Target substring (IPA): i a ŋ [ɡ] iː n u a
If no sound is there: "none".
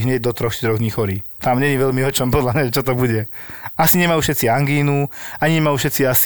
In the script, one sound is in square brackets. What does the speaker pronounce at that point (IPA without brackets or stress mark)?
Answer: ɡ